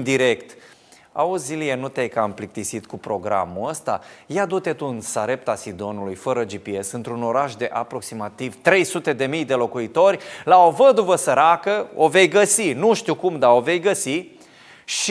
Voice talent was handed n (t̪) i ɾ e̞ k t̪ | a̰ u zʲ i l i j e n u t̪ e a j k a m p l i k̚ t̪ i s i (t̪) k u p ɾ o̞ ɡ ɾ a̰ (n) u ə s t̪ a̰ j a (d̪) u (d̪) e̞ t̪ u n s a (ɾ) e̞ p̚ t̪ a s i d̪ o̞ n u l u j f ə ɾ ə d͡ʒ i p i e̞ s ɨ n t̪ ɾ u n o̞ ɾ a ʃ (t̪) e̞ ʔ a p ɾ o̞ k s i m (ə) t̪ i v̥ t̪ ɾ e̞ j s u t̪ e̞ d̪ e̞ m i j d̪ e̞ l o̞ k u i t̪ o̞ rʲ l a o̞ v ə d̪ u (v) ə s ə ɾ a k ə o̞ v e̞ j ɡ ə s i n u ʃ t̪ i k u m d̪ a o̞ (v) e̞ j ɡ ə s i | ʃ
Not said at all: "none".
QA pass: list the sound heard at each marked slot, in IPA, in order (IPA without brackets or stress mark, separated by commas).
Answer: d̪, t̪, m, d̪, t̪, ɾ, d̪, a, v, v